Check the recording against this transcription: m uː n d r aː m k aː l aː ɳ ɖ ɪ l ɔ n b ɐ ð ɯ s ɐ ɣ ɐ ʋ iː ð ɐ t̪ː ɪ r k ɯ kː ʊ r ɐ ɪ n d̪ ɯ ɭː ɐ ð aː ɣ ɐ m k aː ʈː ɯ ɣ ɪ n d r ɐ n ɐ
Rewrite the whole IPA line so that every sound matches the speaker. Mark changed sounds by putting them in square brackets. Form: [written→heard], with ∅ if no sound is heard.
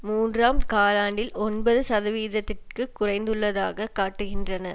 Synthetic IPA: m uː n d r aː m k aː l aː ɳ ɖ ɪ l ɔ n b ɐ ð ɯ s ɐ [ɣ→ð] ɐ ʋ iː ð ɐ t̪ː ɪ r k ɯ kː ʊ r ɐ ɪ n d̪ ɯ ɭː ɐ ð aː ɣ ɐ [m→∅] k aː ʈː ɯ ɣ ɪ n d r ɐ n ɐ

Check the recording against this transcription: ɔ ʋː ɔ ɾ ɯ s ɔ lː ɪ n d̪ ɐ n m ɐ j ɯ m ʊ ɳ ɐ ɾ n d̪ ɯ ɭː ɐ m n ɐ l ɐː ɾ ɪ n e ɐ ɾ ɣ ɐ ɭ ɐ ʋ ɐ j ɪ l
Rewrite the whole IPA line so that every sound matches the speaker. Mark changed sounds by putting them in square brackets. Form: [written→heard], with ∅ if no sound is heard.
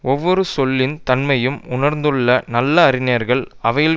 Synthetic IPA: ɔ ʋː ɔ ɾ ɯ s ɔ lː ɪ n [d̪→t̪] ɐ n m ɐ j ɯ m ʊ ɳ ɐ ɾ n d̪ ɯ ɭː ɐ [m→∅] n ɐ [l→lː] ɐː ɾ ɪ n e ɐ ɾ ɣ ɐ ɭ ɐ ʋ ɐ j ɪ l

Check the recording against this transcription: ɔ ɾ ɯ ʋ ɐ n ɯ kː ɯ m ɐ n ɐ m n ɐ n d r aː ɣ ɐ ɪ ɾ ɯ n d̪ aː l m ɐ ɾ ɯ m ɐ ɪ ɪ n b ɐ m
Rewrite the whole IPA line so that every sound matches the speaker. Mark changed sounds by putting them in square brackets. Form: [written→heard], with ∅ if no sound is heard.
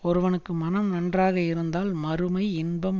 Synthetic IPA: ɔ ɾ ɯ ʋ ɐ n ɯ kː ɯ m ɐ n ɐ m n ɐ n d r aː ɣ ɐ ɪ ɾ ɯ n d̪ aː l m ɐ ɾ ɯ m ɐ ɪ ɪ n b ɐ m

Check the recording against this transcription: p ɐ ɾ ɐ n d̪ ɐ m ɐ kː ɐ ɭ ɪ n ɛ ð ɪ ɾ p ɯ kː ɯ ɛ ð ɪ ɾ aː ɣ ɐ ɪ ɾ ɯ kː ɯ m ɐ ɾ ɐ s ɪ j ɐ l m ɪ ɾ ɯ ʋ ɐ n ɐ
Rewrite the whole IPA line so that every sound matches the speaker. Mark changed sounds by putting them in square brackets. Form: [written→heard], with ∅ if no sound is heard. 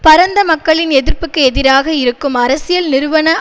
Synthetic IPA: p ɐ ɾ ɐ n d̪ ɐ m ɐ kː ɐ ɭ ɪ n ɛ ð ɪ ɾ p ɯ kː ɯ ɛ ð ɪ ɾ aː ɣ ɐ ɪ ɾ ɯ kː ɯ m ɐ ɾ ɐ s ɪ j ɐ l [m→n] ɪ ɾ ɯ ʋ ɐ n ɐ

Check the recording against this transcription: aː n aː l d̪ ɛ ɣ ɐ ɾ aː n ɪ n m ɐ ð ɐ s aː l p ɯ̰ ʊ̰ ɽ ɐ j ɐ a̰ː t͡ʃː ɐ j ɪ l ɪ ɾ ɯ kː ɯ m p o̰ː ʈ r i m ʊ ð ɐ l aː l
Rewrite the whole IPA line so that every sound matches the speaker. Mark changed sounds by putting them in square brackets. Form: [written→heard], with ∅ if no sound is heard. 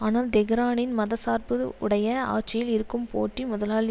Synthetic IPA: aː n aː l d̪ ɛ ɣ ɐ ɾ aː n ɪ n m ɐ ð ɐ s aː [l→ɾ] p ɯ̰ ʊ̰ ɽ ɐ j ɐ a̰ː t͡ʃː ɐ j ɪ l ɪ ɾ ɯ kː ɯ m p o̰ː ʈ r i m ʊ ð ɐ l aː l

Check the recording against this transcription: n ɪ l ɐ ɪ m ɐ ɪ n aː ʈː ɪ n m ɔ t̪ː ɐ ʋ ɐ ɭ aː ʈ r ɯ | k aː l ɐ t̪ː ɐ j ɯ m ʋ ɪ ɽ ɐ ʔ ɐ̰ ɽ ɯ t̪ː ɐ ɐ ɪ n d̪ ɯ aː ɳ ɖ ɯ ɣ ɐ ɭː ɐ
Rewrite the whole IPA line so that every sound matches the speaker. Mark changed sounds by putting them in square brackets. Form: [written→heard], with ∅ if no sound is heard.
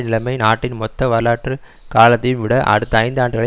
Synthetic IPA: n ɪ l ɐ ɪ m ɐ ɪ n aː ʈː ɪ n m ɔ t̪ː ɐ ʋ ɐ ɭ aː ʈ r ɯ | k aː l ɐ t̪ː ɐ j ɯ m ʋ ɪ ɽ ɐ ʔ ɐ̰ ɽ ɯ t̪ː ɐ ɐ ɪ n d̪ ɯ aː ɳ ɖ ɯ ɣ ɐ [ɭː→ɭ] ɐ

